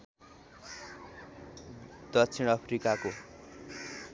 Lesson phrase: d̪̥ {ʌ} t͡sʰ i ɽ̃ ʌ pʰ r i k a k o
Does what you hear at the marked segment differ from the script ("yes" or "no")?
no